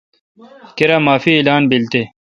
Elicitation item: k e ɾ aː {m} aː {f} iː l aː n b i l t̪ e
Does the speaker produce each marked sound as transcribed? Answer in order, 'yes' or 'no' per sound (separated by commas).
yes, yes